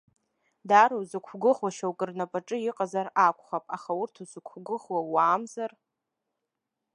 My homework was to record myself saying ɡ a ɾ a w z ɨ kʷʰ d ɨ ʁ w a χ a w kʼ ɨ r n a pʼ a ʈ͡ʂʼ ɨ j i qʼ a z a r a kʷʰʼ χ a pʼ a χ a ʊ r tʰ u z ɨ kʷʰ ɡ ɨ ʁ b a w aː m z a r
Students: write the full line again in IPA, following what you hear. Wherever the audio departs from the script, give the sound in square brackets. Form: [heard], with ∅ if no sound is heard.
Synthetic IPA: [d] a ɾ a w z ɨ kʷʰ [ɡ] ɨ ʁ w a [ʃ] a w kʼ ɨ r n a pʼ a ʈ͡ʂʼ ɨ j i qʼ a z a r a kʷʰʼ χ a pʼ a χ a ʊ r tʰ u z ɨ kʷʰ ɡ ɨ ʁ [w] a w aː m z a r